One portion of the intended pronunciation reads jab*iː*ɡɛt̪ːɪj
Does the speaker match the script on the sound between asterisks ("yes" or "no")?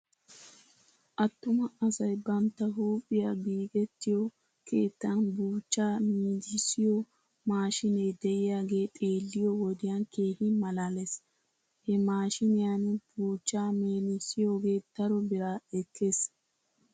yes